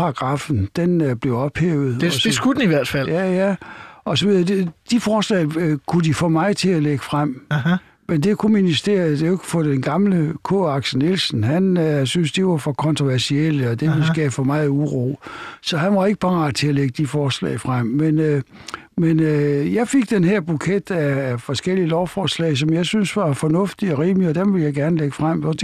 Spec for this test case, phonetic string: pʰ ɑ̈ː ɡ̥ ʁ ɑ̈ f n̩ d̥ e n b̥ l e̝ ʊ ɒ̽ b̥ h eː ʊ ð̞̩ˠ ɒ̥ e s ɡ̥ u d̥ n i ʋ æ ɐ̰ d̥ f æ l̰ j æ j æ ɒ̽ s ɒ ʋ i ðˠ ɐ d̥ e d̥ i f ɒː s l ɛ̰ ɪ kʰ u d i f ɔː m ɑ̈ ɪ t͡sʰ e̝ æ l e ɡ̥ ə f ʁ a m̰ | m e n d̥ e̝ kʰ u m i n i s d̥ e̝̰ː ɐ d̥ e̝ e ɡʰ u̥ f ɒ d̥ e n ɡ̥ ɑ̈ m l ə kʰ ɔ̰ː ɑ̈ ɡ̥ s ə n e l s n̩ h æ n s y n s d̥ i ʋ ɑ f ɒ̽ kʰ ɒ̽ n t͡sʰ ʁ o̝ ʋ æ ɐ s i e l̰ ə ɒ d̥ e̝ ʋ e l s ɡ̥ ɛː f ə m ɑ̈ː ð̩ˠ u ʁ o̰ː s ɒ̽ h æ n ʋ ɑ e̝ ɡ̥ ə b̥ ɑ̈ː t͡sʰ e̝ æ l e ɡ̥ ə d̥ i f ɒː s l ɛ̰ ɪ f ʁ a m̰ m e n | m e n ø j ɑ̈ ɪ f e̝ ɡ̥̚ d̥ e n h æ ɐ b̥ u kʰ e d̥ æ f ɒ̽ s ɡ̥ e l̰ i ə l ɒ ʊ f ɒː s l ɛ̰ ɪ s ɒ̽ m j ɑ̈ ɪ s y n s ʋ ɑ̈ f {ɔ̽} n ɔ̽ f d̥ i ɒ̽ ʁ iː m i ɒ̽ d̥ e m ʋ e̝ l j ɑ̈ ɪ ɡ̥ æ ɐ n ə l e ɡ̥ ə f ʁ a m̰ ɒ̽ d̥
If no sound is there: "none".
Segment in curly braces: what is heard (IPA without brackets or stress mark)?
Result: ɒ̽